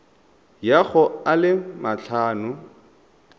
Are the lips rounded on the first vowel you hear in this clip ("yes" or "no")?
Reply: no